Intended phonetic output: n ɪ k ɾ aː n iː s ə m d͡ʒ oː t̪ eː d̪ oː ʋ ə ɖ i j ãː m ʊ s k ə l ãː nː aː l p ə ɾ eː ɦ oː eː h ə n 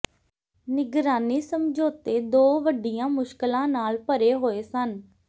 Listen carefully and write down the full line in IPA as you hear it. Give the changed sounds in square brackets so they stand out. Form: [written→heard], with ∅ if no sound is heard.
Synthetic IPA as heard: n ɪ [k→ɡ] ɾ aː n iː s ə m d͡ʒ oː t̪ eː d̪ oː ʋ ə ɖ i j ãː m ʊ [s→ʃ] k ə l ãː [nː→n] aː l p ə ɾ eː ɦ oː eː [h→s] ə n